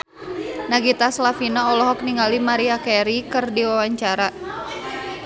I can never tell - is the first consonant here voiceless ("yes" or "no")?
no